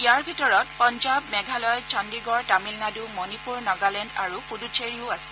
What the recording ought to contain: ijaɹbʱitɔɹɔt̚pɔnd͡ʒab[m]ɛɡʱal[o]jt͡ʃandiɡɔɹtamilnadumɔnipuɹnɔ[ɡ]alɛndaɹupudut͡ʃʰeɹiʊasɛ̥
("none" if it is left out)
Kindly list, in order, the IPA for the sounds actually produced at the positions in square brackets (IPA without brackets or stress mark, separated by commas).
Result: m, ɔ, ɡ